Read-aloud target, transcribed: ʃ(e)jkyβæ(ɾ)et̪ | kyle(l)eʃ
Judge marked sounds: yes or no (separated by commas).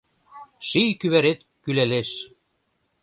no, yes, yes